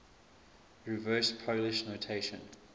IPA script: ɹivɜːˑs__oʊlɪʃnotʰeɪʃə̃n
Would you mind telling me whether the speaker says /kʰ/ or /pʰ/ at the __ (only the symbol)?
pʰ